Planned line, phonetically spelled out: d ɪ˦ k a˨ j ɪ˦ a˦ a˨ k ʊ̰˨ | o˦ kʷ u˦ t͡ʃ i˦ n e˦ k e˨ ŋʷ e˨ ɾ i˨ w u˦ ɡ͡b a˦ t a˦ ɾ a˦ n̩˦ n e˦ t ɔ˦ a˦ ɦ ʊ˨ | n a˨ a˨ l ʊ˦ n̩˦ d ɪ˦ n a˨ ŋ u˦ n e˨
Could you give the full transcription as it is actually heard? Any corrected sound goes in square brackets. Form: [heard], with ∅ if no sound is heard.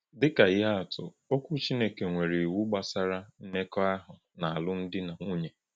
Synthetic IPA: d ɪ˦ k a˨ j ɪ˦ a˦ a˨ [t] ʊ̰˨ | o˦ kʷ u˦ t͡ʃ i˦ n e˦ k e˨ ŋʷ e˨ ɾ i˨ w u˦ ɡ͡b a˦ [s] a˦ ɾ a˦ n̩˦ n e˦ [k] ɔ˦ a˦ ɦ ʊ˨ | n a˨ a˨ l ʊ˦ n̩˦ d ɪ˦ n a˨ ŋ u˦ [ɲ] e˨

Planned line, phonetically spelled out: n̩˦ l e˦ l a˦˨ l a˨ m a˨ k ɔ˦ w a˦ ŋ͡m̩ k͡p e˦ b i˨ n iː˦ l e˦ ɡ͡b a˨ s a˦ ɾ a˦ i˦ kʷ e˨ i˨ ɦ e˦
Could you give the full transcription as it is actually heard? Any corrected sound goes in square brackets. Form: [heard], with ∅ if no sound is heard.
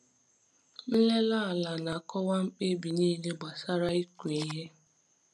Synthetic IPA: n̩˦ l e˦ l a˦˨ l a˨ [n] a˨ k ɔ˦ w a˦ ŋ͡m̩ k͡p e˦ b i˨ n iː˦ l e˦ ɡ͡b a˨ s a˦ ɾ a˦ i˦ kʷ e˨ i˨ ɦ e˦

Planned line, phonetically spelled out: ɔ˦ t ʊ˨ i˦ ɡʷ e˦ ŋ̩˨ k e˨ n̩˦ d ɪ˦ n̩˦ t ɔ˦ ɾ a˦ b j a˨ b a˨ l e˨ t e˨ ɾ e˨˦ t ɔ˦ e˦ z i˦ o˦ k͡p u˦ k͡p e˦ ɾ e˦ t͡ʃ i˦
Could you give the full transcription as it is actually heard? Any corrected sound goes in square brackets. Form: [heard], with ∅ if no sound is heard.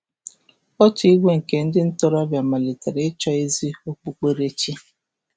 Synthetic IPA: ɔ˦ t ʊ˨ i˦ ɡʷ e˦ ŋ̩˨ k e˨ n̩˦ d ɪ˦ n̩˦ t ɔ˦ ɾ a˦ b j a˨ [m] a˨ l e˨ t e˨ ɾ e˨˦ [t͡ʃ] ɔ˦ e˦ z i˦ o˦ k͡p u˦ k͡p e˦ ɾ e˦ t͡ʃ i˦

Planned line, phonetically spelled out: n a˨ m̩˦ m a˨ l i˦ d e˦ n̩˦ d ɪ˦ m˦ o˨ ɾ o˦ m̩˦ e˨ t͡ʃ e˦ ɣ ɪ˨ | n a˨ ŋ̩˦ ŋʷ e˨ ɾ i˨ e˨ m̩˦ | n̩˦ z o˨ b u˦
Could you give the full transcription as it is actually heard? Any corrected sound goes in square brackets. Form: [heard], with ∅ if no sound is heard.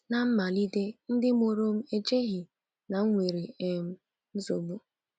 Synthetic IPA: n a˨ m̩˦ m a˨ l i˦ d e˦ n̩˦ d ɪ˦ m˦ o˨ ɾ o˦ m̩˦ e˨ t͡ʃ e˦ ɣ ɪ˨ | n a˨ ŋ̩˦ ŋʷ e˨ ɾ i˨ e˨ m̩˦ | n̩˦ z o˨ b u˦

